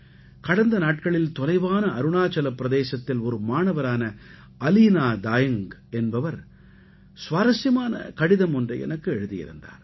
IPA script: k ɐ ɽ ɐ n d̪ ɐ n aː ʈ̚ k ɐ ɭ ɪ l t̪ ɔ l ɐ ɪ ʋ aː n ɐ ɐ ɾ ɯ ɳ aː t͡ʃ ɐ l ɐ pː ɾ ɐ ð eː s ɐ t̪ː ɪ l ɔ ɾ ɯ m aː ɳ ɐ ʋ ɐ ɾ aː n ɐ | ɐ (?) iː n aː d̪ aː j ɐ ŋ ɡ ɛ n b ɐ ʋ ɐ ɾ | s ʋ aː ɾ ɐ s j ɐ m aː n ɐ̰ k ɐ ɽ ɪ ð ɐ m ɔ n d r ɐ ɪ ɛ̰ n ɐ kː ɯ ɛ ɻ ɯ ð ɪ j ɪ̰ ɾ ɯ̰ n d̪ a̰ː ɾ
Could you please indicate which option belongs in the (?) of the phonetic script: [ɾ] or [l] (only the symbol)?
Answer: l